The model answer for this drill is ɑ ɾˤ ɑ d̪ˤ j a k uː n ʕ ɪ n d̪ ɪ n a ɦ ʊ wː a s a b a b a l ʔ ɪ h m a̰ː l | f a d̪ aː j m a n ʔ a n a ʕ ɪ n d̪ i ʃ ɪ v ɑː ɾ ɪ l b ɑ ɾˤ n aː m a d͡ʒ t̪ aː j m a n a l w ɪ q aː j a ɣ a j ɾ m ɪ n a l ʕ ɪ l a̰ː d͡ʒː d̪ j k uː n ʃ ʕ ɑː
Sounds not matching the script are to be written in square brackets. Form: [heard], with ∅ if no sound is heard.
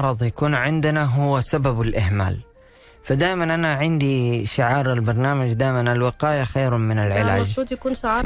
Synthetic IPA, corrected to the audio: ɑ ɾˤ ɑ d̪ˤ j a k uː n ʕ ɪ n d̪ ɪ n a ɦ ʊ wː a s a b a b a l ʔ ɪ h m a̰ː l | f a d̪ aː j m a n ʔ a n a ʕ ɪ n d̪ i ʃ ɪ [ʕ] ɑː ɾ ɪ l b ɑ ɾˤ n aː m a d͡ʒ [d̪] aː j m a n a l w ɪ q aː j a [x] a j ɾ m ɪ n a l ʕ ɪ l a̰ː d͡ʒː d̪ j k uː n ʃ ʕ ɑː